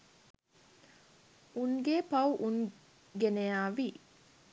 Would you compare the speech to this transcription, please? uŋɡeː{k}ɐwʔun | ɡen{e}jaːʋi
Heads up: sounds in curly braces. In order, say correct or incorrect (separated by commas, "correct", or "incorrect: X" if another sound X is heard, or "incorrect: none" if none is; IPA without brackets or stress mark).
incorrect: p, correct